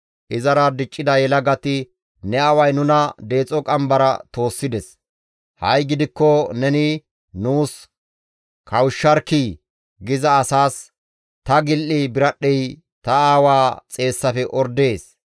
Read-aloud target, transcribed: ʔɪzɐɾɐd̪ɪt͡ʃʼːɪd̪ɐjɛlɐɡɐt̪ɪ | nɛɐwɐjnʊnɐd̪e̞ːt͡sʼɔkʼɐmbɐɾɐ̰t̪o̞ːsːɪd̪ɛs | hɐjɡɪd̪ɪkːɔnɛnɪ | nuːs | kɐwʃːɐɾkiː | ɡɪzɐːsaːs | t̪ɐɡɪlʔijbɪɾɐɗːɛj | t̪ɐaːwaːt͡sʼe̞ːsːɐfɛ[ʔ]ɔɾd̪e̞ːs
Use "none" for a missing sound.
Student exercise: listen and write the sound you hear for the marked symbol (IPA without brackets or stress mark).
ʔ